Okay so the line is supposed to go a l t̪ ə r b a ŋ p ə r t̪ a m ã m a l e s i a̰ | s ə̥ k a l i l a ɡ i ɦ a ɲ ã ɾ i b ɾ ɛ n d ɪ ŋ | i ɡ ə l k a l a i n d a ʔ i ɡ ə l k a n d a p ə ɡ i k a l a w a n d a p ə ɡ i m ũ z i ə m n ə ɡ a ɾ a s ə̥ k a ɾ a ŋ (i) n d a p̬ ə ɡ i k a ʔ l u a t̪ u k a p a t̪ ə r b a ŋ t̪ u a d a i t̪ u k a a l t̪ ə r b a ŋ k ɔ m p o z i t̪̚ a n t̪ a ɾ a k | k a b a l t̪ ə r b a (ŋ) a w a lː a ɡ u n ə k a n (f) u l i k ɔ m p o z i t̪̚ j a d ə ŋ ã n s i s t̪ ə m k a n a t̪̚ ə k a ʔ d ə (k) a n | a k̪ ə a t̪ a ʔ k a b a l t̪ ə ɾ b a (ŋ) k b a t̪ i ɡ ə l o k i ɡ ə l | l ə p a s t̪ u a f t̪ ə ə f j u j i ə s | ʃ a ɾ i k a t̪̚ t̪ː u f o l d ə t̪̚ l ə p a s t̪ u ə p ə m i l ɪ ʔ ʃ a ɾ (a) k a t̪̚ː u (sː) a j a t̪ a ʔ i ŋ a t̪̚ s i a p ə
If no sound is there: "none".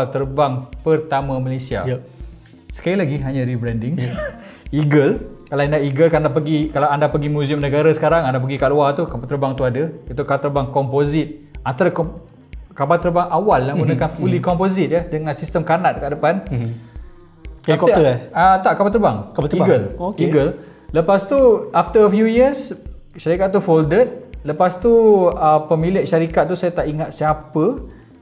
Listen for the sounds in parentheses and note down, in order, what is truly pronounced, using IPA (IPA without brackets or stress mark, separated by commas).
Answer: a, ŋ, f, p, ŋ, i, s